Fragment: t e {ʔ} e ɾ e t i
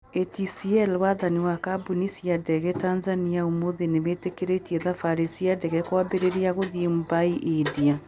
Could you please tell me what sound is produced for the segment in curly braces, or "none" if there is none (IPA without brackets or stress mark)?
k